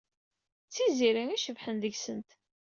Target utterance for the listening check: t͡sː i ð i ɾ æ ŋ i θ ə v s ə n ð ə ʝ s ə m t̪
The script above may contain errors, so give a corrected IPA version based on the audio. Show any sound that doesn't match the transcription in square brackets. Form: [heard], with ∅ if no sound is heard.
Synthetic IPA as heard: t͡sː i [z] i ɾ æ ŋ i [ʃ] ə v [ħ] ə n ð ə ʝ s ə [n] t̪